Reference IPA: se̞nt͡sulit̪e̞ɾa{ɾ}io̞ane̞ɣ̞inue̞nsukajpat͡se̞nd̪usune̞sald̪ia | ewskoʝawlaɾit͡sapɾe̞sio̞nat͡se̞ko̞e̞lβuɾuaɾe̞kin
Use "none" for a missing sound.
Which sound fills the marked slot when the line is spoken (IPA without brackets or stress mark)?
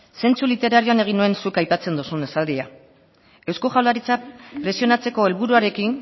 ɾ